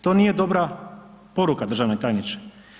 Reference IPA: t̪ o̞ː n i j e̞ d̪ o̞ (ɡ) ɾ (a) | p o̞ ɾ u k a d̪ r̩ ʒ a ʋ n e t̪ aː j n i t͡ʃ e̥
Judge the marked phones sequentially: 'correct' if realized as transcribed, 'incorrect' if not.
incorrect: b, correct

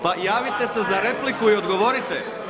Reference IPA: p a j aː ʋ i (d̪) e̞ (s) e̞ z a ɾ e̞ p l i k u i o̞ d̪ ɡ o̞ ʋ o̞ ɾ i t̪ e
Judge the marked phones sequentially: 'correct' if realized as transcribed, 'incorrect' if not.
incorrect: t̪, correct

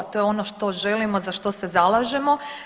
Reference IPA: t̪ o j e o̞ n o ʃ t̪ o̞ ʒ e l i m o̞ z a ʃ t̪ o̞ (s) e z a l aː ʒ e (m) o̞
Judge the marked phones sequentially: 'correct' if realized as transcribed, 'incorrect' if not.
correct, correct

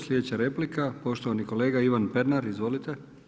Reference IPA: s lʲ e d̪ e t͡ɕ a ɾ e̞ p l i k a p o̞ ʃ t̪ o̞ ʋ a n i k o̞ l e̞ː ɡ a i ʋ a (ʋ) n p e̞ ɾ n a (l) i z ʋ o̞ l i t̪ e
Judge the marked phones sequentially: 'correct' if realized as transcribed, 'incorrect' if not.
incorrect: none, incorrect: ɾ

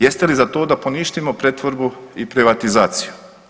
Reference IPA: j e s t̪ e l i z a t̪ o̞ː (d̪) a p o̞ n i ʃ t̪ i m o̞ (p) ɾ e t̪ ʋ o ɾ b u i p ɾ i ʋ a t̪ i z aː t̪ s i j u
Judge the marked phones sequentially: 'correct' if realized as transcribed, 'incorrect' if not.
correct, correct

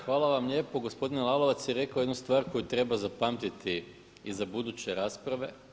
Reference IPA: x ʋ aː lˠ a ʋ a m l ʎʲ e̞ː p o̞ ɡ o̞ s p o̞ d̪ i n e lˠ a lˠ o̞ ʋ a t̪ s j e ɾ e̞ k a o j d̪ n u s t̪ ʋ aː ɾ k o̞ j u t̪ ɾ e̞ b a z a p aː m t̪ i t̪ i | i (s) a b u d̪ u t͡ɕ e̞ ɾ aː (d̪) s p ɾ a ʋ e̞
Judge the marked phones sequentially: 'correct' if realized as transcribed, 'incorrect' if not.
incorrect: z, incorrect: none

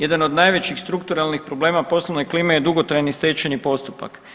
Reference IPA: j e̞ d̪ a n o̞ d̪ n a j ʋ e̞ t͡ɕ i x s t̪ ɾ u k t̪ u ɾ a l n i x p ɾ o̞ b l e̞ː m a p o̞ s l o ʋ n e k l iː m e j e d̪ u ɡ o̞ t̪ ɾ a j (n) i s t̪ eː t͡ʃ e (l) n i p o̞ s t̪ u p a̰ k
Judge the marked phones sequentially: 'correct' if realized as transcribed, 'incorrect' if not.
correct, incorrect: none

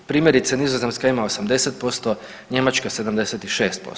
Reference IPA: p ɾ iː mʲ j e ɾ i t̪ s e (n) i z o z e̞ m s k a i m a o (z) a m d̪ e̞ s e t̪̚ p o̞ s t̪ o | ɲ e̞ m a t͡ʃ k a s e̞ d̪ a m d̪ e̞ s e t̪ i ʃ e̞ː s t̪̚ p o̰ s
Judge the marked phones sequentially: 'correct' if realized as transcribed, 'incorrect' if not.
correct, incorrect: s

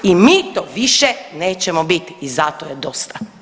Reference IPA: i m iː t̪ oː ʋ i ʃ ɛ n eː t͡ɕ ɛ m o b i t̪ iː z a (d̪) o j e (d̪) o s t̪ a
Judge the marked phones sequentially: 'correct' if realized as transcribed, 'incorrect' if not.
incorrect: t̪, correct

